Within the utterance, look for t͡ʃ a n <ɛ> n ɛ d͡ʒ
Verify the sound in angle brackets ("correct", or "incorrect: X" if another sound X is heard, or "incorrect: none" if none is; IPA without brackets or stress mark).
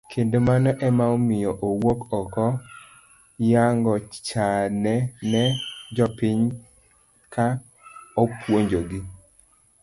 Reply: correct